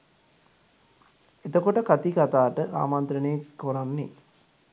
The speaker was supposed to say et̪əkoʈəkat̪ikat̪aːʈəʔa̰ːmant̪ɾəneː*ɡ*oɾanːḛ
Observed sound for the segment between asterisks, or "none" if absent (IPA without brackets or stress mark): k